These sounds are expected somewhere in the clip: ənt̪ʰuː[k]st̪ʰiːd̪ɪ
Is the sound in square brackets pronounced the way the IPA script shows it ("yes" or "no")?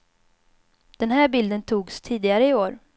no